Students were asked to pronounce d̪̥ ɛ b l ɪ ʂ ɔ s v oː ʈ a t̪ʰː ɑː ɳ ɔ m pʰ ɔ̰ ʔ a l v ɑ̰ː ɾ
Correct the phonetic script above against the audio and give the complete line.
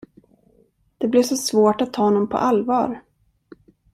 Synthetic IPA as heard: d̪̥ ɛ b l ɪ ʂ ɔ s v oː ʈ a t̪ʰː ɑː n ɔ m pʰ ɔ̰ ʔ a l v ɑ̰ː ɾ